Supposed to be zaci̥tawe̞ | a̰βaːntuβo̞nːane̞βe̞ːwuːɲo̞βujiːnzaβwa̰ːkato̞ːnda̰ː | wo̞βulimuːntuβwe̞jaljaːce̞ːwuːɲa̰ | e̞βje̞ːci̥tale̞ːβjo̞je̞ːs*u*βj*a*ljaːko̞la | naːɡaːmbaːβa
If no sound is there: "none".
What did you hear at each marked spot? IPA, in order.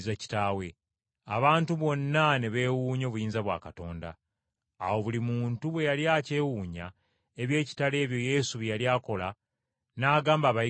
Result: u, a

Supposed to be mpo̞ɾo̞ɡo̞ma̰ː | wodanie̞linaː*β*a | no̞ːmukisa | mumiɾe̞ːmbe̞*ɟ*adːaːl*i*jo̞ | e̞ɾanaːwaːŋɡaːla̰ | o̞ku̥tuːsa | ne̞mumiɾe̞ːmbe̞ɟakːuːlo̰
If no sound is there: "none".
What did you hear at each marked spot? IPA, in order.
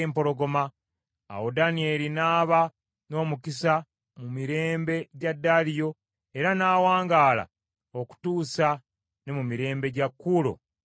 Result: β, ɟ, i

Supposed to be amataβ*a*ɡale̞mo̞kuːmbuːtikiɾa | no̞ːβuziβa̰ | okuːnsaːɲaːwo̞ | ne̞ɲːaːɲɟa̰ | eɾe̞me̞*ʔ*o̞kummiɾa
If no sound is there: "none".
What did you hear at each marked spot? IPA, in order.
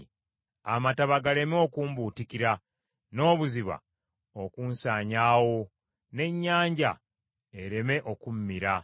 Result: a, ʔ

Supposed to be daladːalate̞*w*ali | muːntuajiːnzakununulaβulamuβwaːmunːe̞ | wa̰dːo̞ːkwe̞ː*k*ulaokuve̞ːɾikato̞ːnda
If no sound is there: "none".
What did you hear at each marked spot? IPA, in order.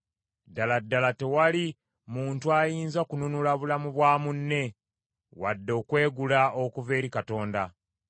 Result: w, ɡ

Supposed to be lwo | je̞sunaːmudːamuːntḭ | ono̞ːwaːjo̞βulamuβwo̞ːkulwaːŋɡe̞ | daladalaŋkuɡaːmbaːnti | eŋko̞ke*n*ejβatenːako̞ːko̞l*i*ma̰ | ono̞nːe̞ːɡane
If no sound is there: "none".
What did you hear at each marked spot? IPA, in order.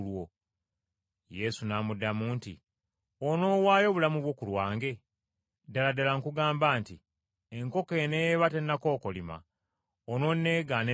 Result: n, i

